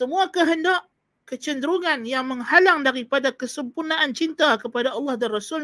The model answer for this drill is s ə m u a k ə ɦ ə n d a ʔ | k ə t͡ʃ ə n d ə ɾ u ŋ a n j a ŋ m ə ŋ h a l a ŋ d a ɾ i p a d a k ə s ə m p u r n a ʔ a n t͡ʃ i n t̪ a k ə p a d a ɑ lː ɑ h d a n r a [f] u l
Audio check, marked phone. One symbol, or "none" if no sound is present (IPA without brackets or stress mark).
s